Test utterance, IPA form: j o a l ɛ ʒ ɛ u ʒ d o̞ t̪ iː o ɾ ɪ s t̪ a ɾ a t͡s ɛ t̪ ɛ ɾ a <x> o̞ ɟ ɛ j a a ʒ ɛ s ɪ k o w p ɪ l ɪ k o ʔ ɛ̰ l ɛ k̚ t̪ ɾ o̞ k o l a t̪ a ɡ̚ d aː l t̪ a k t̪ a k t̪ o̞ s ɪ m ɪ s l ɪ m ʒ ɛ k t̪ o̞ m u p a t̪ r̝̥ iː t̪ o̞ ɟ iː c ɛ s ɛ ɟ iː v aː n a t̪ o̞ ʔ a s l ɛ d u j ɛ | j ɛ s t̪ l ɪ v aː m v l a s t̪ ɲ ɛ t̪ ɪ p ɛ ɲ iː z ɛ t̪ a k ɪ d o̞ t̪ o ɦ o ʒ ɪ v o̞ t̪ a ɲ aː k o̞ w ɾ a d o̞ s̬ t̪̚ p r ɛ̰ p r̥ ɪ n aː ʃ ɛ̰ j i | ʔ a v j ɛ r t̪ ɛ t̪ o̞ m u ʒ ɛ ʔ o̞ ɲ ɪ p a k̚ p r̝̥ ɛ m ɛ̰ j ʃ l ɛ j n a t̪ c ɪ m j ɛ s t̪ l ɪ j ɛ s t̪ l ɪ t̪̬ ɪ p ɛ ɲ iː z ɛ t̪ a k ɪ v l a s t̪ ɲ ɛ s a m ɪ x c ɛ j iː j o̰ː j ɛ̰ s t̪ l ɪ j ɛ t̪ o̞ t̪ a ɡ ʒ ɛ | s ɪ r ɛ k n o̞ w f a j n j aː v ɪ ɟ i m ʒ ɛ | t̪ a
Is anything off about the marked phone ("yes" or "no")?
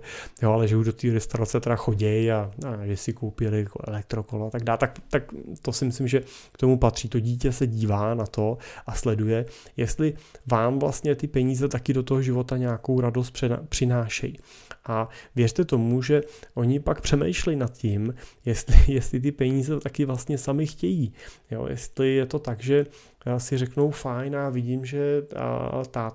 no